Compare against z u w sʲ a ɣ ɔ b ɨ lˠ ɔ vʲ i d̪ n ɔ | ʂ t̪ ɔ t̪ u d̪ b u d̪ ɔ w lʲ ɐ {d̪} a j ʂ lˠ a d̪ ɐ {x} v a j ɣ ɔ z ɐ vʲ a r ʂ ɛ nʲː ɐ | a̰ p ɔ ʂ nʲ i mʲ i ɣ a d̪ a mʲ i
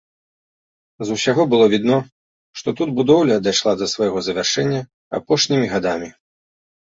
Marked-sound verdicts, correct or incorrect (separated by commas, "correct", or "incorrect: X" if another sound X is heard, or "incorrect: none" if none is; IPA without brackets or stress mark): correct, incorrect: s